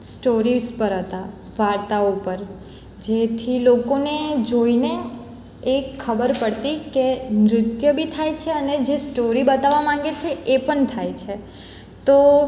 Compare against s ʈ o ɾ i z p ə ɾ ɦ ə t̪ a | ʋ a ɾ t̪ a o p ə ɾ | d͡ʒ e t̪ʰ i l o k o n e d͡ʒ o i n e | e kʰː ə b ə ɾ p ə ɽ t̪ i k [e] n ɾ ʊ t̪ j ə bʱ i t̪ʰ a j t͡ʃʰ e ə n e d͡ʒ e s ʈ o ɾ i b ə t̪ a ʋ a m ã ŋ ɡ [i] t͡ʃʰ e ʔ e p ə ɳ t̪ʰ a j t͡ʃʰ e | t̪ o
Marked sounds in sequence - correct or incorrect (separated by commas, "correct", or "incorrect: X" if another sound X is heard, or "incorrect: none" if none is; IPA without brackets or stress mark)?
correct, incorrect: e